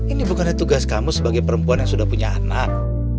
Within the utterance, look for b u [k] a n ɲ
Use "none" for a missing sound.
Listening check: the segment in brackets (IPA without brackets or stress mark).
k